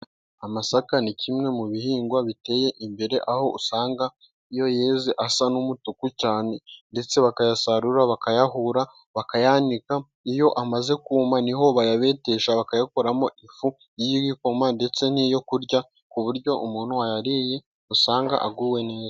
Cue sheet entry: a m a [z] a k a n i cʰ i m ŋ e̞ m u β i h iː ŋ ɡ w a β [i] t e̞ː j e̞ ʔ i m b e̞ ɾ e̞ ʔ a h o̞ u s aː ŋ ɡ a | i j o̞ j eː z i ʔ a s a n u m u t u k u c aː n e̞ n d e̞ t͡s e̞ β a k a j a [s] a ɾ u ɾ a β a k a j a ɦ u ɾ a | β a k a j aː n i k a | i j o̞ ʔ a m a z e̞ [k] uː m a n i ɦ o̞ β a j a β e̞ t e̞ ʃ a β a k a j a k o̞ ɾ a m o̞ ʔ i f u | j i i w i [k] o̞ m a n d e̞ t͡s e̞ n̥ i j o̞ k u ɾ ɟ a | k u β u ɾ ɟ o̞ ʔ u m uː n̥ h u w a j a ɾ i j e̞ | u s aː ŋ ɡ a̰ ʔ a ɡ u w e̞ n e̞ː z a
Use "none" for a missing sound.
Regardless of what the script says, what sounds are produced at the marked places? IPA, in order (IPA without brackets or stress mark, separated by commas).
s, i, s, k, k